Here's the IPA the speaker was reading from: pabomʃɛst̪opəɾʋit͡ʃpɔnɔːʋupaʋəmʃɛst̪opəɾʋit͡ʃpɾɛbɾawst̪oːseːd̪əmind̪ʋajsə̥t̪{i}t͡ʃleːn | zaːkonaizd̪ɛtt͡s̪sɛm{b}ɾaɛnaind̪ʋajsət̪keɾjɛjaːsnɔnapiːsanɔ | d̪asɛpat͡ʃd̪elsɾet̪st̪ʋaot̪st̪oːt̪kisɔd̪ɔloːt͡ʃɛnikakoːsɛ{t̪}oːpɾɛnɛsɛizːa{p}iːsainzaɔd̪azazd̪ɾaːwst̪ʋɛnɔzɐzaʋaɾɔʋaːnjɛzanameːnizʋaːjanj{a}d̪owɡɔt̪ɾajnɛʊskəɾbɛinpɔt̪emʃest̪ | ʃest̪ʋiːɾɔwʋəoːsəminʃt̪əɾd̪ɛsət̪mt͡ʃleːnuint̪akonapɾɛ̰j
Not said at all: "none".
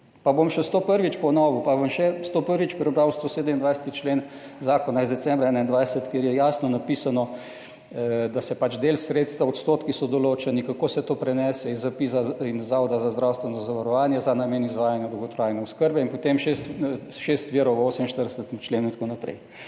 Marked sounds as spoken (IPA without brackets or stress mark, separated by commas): i, b, t̪, p, a